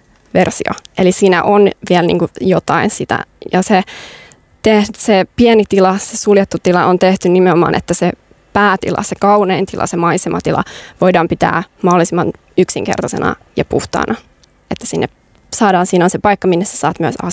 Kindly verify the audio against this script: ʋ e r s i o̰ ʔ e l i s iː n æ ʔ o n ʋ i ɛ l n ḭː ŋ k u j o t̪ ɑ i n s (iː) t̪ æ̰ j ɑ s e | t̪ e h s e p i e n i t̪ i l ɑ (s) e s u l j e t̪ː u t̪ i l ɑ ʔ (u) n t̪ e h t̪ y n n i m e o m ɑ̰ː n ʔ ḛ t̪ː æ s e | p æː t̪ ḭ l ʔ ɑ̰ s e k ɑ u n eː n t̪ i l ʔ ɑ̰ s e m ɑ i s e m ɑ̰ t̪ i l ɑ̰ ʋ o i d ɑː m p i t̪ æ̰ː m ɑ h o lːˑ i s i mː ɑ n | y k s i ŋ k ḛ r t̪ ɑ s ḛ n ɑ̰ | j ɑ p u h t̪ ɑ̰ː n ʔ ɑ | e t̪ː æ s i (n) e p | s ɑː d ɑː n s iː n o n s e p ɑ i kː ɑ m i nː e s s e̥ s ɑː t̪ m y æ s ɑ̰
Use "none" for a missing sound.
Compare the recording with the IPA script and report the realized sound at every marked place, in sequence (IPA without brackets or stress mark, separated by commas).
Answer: i, s, o, nː